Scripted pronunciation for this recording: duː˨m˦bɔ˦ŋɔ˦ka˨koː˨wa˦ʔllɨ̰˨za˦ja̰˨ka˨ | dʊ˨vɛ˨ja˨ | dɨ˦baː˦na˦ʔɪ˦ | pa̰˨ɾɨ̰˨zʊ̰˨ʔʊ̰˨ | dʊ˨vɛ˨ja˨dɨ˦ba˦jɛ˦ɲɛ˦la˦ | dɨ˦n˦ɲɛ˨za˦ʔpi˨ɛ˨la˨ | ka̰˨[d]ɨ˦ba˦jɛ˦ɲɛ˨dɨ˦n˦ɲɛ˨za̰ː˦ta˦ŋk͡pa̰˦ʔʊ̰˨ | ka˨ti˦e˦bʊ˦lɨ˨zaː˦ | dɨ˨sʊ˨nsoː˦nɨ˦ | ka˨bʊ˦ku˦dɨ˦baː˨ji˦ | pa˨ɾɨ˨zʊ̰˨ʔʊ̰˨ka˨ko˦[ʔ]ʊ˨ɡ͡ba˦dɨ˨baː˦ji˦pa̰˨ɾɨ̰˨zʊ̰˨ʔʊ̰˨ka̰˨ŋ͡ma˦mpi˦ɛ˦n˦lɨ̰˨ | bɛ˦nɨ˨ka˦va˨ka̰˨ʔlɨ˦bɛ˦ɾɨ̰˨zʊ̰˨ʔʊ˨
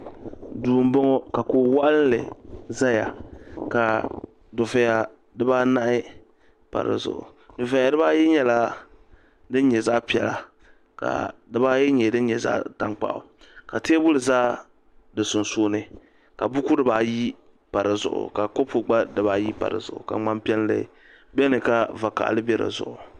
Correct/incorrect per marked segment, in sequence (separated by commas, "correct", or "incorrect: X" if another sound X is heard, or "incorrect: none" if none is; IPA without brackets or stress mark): correct, incorrect: p